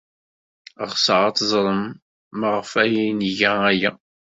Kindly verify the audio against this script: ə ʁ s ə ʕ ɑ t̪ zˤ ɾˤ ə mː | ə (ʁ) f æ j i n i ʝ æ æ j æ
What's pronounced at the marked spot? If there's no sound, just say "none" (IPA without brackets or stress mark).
ʁ